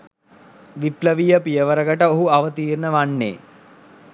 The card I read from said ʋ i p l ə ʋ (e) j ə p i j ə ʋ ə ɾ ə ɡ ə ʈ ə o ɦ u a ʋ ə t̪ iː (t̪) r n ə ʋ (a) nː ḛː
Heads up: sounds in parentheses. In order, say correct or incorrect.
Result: incorrect: i, incorrect: none, correct

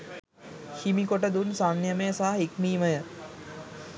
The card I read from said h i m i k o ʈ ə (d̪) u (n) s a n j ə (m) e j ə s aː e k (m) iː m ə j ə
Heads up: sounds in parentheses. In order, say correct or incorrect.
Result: correct, correct, correct, correct

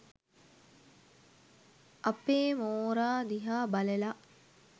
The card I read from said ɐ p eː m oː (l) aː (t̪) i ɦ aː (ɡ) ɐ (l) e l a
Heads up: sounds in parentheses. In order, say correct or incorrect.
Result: incorrect: ɾ, incorrect: d̪, incorrect: b, correct

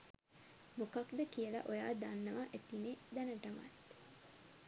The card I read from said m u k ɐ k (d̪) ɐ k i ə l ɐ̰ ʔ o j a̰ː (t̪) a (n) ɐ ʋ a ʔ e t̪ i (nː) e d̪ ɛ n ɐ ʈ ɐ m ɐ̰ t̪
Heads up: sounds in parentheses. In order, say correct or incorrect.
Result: correct, incorrect: d̪, incorrect: nː, incorrect: n

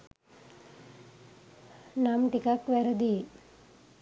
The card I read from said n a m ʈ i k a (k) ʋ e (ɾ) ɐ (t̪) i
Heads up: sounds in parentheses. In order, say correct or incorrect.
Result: correct, correct, incorrect: d̪

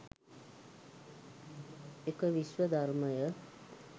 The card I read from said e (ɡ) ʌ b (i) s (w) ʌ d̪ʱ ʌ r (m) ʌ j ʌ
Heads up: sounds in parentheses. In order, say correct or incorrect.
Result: incorrect: k, correct, correct, correct

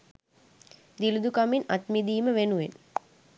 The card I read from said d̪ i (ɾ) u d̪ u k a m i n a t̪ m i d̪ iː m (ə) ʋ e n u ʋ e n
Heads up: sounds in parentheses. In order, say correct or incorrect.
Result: incorrect: l, correct

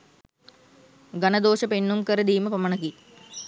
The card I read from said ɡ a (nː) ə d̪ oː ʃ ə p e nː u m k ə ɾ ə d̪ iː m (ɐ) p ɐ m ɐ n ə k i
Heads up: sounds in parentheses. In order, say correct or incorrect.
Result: incorrect: n, incorrect: ə

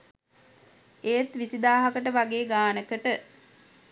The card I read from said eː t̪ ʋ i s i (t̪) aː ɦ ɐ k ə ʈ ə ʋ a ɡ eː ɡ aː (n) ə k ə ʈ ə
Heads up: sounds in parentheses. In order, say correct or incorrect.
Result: incorrect: d̪, correct

